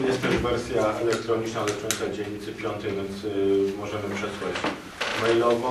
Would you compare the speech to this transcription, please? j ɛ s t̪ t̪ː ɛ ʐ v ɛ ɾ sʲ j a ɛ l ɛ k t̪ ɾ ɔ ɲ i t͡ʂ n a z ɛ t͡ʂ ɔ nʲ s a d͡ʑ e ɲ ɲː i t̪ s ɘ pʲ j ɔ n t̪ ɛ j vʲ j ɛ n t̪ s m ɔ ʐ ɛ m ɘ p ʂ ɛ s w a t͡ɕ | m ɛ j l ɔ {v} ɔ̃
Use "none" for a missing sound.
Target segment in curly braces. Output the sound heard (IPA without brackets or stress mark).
v